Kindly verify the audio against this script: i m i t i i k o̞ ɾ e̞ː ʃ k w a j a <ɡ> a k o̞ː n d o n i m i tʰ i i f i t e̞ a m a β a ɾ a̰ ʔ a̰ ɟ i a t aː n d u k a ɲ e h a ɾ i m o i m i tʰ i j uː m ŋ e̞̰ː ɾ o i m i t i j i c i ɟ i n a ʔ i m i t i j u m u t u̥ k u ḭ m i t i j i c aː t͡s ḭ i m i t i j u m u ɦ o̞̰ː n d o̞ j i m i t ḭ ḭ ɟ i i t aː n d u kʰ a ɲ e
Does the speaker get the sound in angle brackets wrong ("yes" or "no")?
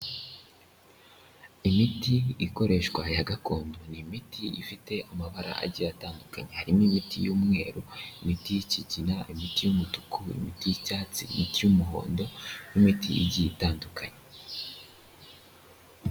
no